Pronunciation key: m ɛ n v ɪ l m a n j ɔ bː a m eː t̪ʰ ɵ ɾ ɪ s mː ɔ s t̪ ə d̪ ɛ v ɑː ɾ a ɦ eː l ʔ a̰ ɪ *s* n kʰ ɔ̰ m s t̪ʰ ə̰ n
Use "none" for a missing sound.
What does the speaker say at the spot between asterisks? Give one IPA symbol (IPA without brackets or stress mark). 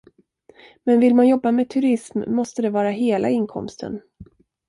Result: none